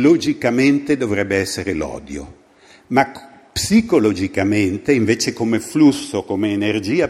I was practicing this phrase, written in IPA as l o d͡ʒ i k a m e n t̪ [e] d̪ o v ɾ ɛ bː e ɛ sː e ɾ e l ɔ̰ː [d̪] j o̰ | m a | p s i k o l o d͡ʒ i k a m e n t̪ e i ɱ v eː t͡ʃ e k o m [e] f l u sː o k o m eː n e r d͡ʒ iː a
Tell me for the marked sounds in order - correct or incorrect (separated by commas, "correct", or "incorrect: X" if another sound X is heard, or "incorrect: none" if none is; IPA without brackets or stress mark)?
correct, correct, correct